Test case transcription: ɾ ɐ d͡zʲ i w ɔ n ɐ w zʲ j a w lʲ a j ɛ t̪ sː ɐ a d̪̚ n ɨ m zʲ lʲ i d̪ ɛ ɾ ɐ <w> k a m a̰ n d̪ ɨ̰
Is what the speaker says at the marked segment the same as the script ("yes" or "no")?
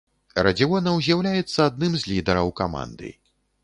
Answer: yes